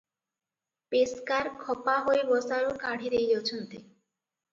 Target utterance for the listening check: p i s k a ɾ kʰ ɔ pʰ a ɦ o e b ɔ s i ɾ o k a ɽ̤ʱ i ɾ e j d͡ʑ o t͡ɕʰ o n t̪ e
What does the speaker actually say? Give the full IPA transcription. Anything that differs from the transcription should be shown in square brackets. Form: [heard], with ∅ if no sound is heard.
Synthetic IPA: p [e] s k a ɾ kʰ ɔ [p] a ɦ o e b ɔ s [a] ɾ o k a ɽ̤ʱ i ɾ e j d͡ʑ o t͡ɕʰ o n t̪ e